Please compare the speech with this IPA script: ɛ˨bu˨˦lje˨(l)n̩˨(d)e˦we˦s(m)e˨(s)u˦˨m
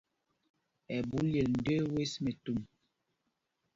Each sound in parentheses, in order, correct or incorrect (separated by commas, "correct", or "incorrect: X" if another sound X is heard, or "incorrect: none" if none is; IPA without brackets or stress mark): correct, correct, correct, incorrect: t